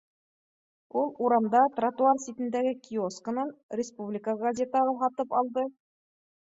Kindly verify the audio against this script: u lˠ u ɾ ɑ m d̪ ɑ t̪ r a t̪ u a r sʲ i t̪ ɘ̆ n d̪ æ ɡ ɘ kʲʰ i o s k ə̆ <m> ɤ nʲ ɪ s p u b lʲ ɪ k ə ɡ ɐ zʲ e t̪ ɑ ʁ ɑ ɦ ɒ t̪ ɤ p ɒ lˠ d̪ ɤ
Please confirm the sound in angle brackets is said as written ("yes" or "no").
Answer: no